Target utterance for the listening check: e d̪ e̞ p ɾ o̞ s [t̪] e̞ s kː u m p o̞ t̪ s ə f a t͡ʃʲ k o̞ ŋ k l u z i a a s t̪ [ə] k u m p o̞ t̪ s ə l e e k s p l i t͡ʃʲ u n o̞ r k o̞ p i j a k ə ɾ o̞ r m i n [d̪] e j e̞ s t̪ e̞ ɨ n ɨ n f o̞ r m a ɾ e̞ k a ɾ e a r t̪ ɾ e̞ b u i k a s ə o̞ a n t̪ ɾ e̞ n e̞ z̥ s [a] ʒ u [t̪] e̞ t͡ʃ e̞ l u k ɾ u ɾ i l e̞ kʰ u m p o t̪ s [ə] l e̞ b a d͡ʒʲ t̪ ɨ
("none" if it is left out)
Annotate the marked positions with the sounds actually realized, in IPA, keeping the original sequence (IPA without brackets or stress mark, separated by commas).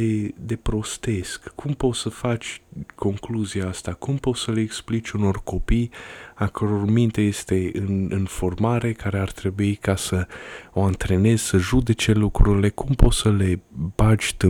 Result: t̪, a, t̪, ə, d̪, ə